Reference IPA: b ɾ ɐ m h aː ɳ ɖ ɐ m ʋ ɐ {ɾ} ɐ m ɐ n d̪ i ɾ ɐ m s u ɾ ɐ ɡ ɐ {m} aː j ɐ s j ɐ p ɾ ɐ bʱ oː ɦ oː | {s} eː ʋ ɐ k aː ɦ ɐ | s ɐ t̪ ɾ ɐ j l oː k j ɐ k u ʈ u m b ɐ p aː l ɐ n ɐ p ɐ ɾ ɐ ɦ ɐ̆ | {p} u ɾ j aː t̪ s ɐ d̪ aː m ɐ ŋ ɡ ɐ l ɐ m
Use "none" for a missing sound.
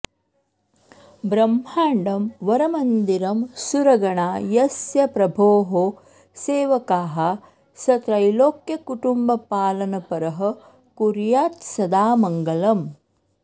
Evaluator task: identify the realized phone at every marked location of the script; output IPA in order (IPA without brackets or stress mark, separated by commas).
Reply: ɾ, ɳ, s, k